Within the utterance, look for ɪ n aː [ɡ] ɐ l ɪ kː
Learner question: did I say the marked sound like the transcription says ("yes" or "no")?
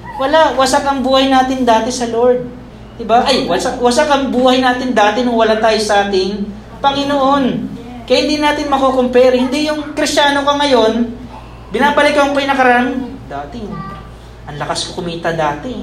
no